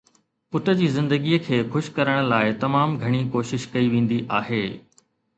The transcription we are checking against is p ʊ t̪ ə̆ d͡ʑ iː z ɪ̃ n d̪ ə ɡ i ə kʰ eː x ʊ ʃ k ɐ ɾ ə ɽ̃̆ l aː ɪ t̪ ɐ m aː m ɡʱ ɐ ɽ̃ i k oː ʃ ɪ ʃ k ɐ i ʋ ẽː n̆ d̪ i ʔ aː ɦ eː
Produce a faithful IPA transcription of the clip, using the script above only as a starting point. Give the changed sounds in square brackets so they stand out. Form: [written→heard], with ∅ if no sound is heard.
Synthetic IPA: p ʊ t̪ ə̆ d͡ʑ iː z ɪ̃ n d̪ ə ɡ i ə kʰ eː x ʊ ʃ k ɐ ɾ ə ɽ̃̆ l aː ɪ t̪ ɐ m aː m ɡʱ ɐ ɽ̃ i k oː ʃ ɪ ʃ k ɐ i ʋ ẽː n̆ d̪ i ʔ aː ɦ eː